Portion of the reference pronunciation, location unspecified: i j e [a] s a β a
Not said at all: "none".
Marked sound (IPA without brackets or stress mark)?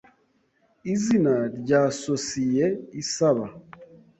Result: i